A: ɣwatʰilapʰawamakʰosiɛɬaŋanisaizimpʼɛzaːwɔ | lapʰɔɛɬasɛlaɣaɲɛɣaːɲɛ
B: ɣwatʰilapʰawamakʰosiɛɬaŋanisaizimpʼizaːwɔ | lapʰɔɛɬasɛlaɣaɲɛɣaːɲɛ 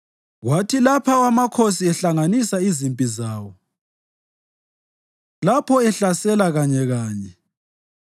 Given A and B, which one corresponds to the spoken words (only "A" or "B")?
B